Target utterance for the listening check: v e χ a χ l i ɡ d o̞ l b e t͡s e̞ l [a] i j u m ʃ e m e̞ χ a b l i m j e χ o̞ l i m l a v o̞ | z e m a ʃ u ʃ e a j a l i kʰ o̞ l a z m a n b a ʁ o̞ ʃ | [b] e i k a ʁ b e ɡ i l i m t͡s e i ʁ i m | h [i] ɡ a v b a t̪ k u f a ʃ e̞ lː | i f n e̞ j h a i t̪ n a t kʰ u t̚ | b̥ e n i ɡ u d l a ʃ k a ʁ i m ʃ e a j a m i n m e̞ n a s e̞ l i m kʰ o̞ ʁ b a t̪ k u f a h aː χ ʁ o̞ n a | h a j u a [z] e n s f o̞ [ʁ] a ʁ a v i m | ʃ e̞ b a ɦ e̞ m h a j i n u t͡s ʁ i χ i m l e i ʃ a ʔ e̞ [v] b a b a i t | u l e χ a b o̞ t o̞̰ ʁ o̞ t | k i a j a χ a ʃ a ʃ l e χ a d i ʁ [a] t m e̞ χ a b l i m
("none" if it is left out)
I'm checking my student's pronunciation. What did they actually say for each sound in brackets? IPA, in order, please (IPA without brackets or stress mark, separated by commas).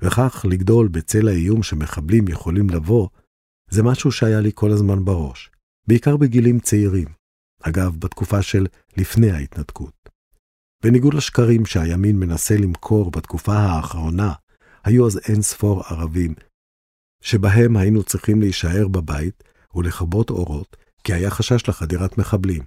a, b, a, z, ʁ, ʁ, a